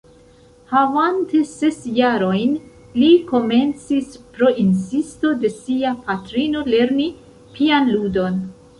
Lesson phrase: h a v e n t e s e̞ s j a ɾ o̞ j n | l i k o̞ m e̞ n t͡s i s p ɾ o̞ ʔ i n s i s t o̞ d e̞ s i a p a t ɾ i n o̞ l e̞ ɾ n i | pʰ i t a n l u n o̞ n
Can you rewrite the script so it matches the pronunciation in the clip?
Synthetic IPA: h a v a n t e s e̞ s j a ɾ o̞ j n | l i k o̞ m e̞ n t͡s i s p ɾ o̞ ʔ i n s i s t o̞ d e̞ s i a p a t ɾ i n o̞ l e̞ ɾ n i | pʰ i a n l u d o̞ n